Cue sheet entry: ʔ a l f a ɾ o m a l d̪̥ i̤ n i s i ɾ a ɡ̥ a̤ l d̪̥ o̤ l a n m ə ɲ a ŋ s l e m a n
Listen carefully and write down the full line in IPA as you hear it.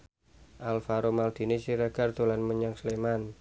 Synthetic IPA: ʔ a l f a ɾ o m a l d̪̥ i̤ n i s i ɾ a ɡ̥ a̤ r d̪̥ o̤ l a n m ə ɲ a ŋ s l e m a n